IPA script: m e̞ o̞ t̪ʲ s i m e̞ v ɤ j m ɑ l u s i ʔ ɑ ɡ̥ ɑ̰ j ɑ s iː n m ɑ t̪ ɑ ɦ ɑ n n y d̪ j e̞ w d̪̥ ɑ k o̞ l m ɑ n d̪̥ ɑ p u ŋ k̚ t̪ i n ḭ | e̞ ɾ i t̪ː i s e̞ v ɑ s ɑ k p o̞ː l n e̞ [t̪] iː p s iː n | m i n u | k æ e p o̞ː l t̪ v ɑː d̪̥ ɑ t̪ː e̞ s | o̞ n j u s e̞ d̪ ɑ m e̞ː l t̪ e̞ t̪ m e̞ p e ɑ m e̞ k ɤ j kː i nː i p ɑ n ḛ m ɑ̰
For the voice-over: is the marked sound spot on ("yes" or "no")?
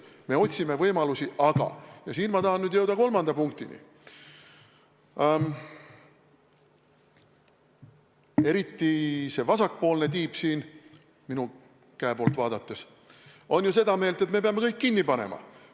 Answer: yes